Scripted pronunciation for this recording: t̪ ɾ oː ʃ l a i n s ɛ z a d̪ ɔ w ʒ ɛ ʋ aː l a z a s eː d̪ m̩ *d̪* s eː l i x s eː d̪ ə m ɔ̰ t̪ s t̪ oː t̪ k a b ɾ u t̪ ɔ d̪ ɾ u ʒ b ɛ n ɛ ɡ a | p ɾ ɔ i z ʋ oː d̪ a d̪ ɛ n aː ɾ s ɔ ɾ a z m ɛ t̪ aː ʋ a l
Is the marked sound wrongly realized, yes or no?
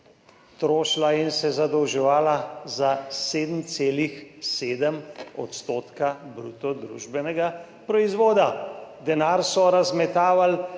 yes